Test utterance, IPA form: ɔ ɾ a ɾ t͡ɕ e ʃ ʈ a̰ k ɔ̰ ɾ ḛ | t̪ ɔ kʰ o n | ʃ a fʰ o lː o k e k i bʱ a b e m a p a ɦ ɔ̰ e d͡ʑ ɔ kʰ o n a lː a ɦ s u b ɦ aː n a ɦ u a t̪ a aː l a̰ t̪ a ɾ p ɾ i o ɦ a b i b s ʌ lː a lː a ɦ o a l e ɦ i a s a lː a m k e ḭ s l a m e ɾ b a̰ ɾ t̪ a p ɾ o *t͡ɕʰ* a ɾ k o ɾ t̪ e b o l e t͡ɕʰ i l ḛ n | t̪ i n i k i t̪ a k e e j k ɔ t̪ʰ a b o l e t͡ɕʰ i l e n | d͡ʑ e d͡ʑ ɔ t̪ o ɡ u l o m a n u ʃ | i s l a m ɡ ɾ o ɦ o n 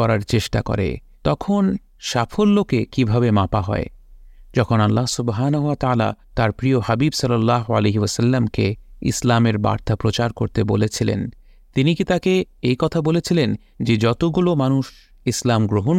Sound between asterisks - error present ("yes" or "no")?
yes